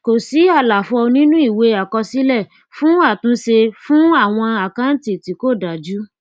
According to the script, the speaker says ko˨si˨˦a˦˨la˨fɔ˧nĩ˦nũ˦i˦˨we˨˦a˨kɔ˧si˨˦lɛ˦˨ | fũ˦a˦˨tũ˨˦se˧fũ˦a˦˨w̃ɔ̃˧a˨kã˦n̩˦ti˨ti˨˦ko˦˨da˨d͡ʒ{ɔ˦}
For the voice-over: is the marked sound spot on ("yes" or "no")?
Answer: no